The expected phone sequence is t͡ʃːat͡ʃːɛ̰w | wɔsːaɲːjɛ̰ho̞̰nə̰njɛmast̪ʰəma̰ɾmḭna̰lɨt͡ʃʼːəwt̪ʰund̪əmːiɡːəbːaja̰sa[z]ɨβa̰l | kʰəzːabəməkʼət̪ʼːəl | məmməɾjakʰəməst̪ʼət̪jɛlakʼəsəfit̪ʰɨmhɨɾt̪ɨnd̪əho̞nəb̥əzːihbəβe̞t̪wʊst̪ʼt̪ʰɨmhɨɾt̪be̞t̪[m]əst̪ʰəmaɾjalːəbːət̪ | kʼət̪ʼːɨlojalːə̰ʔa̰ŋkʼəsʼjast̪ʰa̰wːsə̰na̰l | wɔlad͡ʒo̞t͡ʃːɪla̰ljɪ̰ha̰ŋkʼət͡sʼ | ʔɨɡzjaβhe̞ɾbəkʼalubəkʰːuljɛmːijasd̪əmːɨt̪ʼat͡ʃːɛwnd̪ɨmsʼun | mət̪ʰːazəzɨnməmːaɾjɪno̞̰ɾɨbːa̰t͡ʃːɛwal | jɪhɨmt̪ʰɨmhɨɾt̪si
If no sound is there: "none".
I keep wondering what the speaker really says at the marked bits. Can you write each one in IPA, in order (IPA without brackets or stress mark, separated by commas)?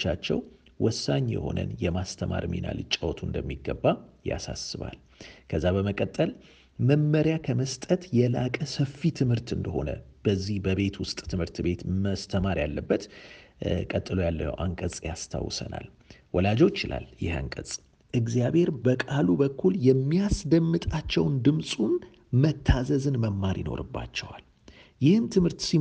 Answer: s, m